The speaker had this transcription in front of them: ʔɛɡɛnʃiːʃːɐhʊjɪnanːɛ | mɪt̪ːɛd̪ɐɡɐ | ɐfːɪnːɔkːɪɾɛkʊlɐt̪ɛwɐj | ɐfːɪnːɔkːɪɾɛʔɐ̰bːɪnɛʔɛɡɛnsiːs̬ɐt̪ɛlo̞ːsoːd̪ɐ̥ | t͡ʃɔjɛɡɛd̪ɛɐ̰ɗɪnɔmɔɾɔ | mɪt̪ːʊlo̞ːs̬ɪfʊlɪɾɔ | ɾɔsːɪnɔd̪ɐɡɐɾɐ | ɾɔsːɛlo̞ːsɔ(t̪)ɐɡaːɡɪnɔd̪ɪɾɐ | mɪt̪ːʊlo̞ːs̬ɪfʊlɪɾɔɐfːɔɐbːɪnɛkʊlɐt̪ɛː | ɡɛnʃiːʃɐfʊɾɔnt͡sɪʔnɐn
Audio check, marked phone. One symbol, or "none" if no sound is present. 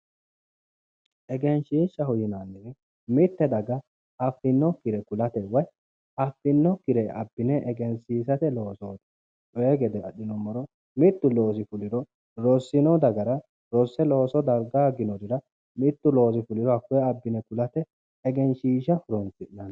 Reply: d̪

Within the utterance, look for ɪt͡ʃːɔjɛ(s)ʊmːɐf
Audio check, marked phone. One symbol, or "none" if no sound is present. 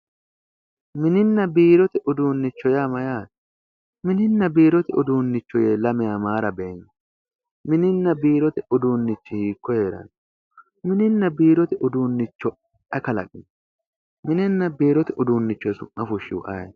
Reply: s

